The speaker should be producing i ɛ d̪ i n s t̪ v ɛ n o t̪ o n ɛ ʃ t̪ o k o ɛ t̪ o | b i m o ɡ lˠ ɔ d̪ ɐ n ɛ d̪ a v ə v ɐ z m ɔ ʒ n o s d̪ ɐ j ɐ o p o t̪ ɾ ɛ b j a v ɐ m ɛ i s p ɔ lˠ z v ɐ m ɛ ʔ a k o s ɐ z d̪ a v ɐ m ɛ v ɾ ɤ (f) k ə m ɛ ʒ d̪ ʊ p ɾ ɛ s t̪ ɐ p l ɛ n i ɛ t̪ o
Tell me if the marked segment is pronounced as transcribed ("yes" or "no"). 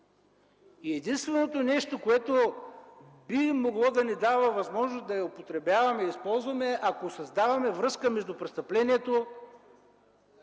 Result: no